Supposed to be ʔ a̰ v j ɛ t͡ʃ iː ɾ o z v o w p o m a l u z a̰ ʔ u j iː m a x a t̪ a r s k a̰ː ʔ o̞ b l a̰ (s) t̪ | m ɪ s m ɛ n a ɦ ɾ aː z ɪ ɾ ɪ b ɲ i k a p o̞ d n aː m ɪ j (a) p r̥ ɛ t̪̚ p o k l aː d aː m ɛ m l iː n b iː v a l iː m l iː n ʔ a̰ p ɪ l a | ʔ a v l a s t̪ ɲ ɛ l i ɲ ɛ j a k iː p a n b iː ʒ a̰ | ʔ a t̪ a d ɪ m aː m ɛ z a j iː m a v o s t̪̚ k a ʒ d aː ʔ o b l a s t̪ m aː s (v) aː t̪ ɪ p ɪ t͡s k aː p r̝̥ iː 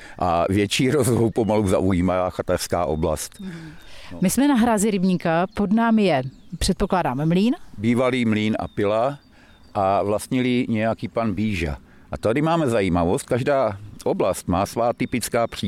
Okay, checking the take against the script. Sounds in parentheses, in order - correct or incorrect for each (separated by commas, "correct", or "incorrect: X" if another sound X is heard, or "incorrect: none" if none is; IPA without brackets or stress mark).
correct, incorrect: ɛ, correct